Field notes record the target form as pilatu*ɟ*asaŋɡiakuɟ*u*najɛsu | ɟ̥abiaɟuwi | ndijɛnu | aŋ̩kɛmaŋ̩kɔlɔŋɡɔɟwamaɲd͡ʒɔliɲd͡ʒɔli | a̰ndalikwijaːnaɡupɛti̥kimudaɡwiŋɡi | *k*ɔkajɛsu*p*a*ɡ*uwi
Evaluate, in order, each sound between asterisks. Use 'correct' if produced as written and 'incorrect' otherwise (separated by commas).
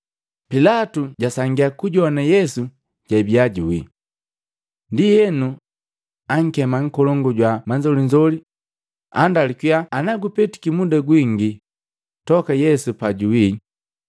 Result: correct, incorrect, incorrect, correct, incorrect